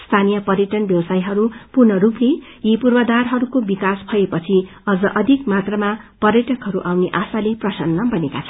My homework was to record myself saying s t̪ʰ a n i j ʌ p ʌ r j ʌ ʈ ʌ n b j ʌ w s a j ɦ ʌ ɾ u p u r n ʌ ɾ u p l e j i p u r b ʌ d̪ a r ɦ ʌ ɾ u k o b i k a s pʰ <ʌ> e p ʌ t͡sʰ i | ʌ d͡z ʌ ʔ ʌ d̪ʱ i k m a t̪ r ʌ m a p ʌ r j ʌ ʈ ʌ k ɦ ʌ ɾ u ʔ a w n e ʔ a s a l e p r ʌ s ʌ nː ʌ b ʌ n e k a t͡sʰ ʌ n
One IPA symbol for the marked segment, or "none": ʌ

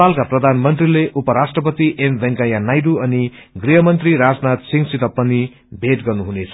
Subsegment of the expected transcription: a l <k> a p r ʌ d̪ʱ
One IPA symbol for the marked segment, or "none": k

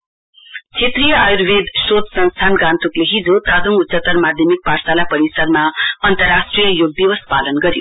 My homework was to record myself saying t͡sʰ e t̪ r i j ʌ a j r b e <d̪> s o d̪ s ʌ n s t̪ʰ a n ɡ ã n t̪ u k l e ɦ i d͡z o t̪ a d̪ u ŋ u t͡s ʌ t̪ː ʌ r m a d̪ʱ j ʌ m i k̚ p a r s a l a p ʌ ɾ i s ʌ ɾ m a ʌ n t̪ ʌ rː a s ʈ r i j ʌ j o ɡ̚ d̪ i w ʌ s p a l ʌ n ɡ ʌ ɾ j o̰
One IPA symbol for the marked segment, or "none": d̪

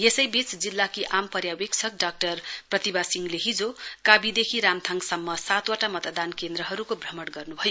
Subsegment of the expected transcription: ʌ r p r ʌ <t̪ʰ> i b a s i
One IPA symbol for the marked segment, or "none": t̪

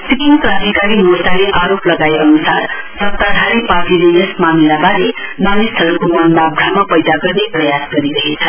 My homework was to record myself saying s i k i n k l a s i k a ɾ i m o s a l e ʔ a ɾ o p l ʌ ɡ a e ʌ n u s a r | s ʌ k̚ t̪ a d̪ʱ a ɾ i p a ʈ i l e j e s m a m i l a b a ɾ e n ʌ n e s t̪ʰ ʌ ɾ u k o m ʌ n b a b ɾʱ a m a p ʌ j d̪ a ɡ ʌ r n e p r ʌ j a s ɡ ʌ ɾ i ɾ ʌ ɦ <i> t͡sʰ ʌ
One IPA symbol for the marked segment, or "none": e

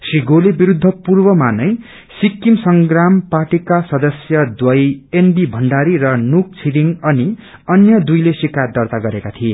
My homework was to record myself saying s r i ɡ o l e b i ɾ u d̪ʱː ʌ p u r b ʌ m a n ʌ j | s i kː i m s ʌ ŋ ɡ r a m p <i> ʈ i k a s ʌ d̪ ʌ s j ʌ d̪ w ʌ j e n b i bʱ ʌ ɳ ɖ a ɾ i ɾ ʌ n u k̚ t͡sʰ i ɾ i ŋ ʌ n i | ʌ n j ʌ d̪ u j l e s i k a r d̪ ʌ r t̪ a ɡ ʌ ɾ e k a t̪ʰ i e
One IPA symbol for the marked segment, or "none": a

